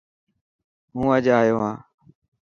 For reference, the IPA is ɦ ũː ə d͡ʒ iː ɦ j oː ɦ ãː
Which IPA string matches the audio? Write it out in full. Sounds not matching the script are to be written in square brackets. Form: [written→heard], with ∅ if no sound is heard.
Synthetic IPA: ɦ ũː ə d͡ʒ [iː→aː] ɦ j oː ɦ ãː